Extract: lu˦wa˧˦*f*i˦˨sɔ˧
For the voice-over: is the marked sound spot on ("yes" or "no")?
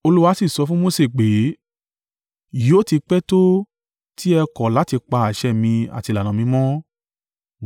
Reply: no